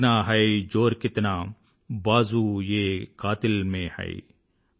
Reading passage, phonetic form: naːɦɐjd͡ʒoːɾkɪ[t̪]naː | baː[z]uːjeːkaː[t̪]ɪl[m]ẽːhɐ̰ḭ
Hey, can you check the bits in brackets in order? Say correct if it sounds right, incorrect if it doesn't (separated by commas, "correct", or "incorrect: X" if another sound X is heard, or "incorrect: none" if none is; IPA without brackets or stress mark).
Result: correct, correct, correct, correct